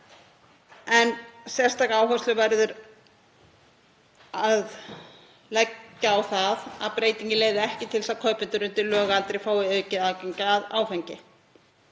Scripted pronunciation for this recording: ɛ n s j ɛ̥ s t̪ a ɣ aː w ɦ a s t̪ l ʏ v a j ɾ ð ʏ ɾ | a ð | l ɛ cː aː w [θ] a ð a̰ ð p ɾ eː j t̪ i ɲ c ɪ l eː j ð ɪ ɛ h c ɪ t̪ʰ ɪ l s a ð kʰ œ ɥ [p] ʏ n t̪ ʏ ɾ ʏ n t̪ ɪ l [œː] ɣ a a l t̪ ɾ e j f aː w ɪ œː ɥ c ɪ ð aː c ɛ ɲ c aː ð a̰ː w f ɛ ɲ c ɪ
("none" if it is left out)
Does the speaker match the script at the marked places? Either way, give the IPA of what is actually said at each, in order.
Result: θ, p, œː

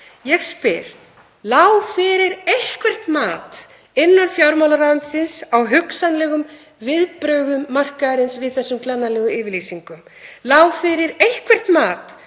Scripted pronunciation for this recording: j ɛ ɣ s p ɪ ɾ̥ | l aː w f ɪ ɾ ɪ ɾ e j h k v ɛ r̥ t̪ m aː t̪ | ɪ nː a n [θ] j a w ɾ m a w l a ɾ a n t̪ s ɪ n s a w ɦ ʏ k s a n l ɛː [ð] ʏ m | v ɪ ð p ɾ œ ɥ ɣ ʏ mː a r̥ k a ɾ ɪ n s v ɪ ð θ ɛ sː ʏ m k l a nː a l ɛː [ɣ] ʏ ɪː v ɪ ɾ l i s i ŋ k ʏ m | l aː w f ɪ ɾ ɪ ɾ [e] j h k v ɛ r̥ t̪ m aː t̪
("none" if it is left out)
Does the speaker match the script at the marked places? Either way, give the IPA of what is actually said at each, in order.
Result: f, ɣ, ɣ, e

